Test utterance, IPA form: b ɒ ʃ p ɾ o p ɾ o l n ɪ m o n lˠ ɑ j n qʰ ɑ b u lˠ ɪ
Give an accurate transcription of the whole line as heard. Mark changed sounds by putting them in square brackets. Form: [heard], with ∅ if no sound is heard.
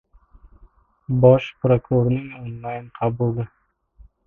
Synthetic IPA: b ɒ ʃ p ɾ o [k] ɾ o [ɾ] n ɪ [ŋ] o n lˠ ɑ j n qʰ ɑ b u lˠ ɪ